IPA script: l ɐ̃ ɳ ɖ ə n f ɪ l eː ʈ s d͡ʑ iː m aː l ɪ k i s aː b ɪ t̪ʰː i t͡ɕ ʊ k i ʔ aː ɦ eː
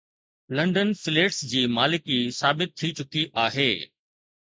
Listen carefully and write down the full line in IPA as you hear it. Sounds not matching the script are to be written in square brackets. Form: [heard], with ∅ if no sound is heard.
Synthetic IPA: l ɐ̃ ɳ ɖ ə n f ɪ l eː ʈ s d͡ʑ iː m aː l ɪ k i s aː b ɪ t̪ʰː i t͡ɕ ʊ k i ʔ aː ɦ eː